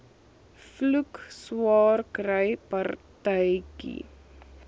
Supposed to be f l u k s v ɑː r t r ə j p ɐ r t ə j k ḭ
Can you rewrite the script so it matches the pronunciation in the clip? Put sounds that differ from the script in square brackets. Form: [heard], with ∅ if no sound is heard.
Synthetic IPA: f l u k s [w] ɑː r [k] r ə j p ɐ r t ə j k ḭ